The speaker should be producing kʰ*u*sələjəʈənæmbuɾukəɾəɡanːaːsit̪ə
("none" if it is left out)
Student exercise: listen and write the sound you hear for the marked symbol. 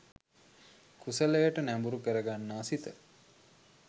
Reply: u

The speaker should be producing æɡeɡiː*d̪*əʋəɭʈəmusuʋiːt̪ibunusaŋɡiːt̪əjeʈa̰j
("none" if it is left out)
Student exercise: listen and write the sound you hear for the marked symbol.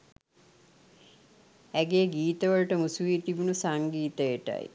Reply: t̪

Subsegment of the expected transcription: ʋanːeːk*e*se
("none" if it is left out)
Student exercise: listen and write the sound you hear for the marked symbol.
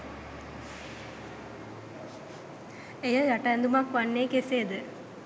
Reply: e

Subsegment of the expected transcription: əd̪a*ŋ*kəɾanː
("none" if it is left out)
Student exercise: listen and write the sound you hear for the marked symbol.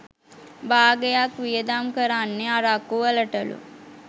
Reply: m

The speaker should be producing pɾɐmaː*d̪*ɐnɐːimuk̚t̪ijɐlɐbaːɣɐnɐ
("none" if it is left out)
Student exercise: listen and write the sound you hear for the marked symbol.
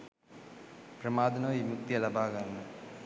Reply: d̪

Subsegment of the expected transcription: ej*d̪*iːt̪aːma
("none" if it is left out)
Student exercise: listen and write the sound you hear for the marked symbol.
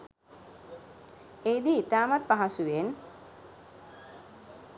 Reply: d̪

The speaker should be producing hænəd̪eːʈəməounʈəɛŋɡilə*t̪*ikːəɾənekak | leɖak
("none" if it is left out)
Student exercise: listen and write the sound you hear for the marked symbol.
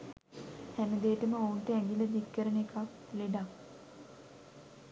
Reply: d̪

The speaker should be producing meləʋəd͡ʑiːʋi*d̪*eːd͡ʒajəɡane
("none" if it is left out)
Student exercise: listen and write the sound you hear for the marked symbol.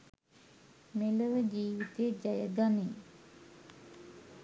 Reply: t̪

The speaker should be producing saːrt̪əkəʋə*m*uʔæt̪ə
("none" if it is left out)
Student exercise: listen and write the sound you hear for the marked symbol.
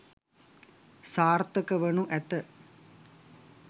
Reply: n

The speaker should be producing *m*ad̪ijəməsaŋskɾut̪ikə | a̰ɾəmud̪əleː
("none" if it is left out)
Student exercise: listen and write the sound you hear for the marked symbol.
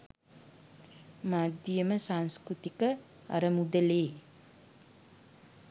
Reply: m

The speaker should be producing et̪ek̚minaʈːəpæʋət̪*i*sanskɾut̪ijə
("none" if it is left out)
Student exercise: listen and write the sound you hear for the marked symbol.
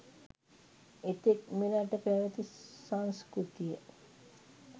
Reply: i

